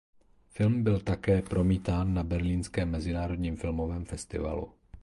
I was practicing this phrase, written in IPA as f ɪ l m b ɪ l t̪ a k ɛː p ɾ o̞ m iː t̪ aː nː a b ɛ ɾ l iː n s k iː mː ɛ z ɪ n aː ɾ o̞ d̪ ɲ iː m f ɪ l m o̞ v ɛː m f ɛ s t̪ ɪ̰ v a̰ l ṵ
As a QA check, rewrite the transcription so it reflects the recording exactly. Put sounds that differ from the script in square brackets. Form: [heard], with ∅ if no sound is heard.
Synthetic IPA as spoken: f ɪ l m b ɪ l t̪ a k ɛː p ɾ o̞ m iː t̪ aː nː a b ɛ ɾ l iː n s k [ɛː] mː ɛ z ɪ n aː ɾ o̞ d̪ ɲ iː m f ɪ l m o̞ v ɛː m f ɛ s t̪ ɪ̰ v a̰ l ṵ